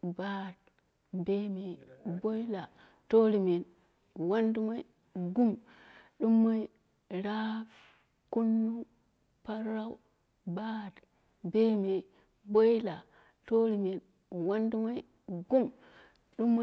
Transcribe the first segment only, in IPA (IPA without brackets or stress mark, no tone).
b